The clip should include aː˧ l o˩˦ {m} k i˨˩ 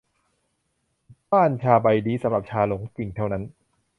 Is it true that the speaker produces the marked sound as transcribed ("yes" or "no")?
no